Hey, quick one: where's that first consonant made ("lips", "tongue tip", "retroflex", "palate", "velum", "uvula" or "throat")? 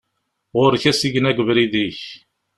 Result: uvula